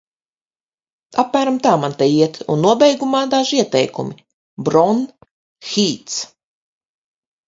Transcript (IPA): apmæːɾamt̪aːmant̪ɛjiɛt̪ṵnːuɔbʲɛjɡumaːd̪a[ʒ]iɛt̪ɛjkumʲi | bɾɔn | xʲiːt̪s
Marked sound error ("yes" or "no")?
no